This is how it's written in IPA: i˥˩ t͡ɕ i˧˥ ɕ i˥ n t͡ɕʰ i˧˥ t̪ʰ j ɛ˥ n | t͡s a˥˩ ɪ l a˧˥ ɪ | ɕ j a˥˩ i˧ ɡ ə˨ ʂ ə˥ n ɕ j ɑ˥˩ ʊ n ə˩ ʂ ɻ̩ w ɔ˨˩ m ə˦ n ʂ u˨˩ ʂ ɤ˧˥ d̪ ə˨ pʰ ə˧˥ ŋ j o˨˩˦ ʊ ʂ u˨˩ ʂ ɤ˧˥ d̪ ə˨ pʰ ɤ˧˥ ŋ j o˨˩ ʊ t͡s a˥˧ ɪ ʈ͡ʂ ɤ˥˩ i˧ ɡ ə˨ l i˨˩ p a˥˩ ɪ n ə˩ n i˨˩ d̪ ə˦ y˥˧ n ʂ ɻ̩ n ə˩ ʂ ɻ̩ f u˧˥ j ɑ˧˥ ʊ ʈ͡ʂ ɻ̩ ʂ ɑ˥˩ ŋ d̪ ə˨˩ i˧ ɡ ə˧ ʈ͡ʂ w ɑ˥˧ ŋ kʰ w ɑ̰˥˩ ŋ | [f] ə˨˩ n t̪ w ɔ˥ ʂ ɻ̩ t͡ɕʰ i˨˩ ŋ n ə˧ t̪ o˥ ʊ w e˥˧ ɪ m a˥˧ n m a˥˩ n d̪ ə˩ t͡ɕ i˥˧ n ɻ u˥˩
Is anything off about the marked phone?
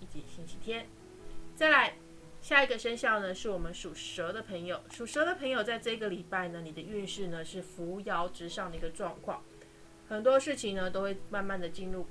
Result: yes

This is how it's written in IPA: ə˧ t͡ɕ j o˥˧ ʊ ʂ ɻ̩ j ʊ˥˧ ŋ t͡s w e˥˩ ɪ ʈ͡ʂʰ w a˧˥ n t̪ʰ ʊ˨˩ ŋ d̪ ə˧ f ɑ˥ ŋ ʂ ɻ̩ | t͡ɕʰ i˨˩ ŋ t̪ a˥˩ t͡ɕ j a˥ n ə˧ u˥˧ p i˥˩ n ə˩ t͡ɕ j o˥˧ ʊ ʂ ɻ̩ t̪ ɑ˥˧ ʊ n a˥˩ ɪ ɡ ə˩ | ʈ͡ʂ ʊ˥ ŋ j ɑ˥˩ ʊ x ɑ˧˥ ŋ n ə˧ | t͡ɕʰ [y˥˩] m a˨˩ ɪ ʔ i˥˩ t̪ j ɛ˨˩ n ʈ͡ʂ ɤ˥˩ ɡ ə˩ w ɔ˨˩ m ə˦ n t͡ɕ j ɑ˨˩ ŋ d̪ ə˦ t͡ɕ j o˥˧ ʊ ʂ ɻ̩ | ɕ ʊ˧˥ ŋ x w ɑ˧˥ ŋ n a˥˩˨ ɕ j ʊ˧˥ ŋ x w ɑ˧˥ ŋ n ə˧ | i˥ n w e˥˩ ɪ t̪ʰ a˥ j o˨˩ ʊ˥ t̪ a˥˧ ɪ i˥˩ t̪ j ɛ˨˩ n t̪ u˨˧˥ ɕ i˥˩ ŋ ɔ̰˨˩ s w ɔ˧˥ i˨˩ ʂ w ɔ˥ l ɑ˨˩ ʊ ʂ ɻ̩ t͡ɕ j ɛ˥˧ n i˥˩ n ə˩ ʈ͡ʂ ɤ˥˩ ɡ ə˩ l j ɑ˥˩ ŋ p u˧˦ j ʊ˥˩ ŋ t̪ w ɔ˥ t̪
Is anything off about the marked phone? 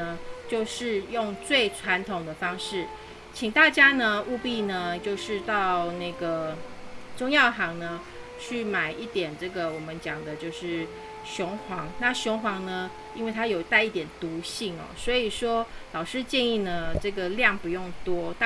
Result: no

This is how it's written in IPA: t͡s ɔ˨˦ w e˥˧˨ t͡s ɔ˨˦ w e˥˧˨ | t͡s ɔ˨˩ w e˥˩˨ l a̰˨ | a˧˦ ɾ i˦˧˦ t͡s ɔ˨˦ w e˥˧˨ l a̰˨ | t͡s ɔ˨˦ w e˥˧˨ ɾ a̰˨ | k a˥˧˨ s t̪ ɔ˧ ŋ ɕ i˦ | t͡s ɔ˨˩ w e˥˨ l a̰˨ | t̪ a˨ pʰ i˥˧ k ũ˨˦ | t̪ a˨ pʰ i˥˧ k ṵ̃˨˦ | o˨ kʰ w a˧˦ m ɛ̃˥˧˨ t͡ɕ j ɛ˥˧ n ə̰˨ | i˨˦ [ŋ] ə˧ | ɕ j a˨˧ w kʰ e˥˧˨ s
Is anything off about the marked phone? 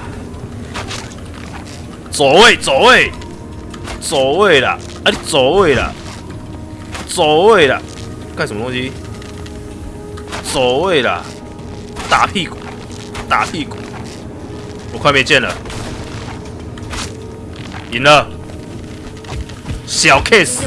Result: yes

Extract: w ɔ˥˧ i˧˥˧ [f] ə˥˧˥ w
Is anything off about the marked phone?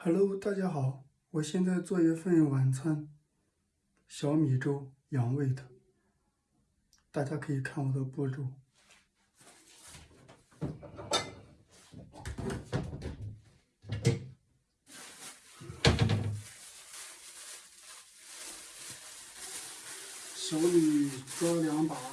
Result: no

